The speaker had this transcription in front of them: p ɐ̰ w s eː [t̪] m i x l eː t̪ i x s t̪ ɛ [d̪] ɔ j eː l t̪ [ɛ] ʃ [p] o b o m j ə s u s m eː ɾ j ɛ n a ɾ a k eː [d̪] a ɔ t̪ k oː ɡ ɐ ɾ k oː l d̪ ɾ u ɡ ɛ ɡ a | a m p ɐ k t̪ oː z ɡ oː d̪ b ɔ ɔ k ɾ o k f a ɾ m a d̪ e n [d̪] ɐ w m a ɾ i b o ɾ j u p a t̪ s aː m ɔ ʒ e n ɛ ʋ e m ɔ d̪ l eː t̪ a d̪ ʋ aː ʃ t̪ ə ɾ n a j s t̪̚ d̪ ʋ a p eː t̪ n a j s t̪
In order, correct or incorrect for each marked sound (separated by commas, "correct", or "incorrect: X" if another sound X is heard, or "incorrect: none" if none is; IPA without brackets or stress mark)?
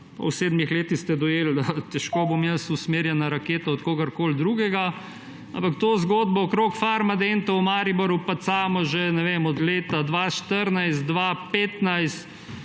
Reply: incorrect: d̪, correct, correct, incorrect: k, incorrect: t̪, incorrect: t̪